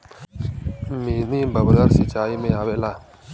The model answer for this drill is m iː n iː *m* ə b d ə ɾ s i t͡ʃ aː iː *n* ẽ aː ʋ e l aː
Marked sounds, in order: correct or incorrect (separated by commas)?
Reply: incorrect, incorrect